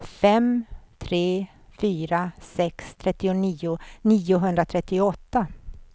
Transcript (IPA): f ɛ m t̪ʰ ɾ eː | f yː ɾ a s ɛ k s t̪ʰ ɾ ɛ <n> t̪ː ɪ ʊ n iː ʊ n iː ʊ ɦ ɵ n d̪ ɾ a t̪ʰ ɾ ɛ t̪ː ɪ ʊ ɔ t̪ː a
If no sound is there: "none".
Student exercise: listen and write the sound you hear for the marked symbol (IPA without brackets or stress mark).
none